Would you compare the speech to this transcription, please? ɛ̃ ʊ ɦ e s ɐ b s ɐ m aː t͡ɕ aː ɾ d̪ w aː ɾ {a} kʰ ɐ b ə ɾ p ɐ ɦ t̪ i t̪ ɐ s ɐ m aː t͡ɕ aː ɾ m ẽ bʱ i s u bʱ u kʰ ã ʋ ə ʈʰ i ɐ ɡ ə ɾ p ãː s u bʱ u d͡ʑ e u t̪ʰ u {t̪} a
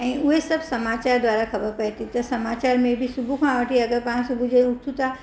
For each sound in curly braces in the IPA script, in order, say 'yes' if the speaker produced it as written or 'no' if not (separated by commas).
yes, yes